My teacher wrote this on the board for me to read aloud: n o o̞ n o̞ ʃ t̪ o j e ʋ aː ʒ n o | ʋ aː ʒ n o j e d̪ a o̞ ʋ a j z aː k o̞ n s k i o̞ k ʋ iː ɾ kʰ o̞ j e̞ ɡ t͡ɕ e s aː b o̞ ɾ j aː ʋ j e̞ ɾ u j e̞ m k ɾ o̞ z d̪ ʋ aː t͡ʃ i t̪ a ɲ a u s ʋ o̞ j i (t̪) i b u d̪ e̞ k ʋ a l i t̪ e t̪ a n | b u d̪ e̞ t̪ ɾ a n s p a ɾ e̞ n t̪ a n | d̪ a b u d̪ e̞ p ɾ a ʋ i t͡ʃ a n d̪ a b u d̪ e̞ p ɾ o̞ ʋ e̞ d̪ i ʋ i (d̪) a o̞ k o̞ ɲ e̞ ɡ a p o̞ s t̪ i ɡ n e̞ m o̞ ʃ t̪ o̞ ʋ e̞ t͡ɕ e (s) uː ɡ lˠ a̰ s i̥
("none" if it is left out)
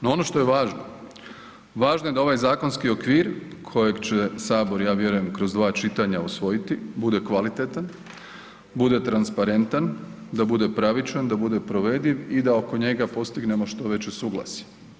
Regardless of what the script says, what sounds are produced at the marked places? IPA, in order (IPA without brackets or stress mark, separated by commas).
t̪, d̪, s